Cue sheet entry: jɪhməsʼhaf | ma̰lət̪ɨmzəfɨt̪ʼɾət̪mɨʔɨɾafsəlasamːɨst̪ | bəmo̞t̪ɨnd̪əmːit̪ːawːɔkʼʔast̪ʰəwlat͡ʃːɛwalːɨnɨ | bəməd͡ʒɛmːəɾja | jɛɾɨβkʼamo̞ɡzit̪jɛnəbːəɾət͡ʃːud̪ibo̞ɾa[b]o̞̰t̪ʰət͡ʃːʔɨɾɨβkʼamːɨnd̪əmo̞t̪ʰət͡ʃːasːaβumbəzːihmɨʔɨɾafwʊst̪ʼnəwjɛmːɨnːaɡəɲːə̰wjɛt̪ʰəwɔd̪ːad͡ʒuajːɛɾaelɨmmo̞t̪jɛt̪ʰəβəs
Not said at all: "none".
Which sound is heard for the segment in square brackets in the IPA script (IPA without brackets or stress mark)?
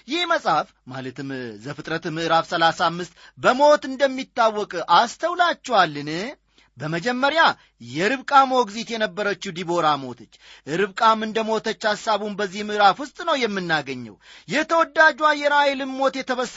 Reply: m